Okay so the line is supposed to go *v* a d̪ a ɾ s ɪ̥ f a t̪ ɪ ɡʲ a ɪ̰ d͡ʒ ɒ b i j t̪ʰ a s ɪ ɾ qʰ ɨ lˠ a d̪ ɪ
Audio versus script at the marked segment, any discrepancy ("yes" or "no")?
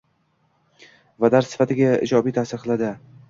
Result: no